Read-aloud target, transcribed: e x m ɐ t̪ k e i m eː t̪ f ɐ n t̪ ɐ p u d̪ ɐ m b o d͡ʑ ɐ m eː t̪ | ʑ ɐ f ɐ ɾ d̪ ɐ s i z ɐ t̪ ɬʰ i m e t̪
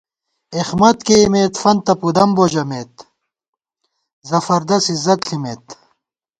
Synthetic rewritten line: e x m ɐ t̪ k e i m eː t̪ f ɐ n t̪ ɐ p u d̪ ɐ m b o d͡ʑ ɐ m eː t̪ | z ɐ f ɐ ɾ d̪ ɐ s i z ɐ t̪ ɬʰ i m e t̪